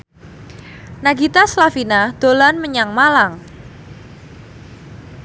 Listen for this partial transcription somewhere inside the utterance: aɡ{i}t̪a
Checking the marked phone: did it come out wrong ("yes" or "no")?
no